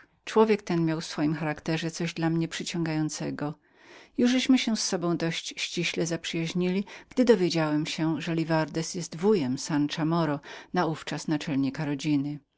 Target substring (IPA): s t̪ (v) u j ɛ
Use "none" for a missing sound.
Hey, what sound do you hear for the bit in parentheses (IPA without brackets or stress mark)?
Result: v